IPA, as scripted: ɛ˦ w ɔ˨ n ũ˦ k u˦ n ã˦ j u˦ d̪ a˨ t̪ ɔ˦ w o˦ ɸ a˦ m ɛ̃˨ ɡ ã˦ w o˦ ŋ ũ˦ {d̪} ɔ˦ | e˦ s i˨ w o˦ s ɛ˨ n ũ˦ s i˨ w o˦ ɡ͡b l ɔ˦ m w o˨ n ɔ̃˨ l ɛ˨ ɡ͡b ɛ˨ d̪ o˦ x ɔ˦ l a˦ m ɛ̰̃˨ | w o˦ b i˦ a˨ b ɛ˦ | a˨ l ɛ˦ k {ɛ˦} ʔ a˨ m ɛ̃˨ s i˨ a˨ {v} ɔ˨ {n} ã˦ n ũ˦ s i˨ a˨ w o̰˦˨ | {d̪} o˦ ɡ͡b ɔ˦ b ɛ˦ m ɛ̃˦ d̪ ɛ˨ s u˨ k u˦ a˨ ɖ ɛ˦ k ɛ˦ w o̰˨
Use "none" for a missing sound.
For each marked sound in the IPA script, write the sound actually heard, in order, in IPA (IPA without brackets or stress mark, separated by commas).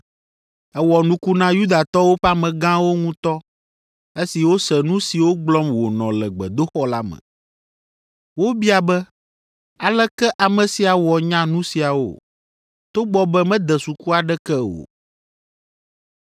t̪, ɛ˦, w, ɲ, t̪